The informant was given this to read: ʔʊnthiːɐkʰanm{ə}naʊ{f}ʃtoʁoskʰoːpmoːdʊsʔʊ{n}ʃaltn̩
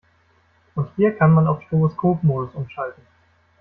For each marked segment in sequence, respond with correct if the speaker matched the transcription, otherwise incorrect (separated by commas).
incorrect, correct, incorrect